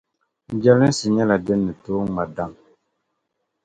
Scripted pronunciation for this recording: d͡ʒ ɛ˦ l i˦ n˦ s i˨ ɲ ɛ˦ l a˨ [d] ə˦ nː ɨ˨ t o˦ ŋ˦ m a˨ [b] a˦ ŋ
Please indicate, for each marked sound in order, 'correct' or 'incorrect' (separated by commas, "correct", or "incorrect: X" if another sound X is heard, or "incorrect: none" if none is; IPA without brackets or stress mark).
correct, incorrect: d